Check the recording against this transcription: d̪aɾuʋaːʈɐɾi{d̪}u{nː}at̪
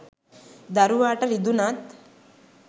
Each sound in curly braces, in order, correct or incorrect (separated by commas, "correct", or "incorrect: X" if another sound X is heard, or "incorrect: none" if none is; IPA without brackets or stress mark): correct, incorrect: n